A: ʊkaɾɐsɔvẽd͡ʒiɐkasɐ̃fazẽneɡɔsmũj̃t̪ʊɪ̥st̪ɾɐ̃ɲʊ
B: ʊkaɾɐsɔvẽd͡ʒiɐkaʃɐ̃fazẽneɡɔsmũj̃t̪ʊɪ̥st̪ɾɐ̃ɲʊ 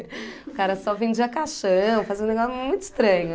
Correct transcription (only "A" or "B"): B